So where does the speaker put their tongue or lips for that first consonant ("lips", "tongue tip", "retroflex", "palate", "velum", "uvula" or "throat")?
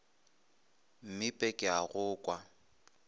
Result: lips